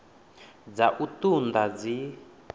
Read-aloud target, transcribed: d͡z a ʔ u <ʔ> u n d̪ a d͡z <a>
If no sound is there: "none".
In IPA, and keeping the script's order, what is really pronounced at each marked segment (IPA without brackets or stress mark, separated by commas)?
t, i